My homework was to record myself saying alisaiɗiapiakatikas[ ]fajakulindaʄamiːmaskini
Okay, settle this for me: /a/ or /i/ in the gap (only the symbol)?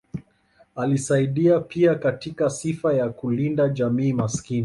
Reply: i